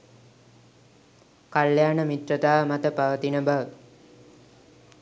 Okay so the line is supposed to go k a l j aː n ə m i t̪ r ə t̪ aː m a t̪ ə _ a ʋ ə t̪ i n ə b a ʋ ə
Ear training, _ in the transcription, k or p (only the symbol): p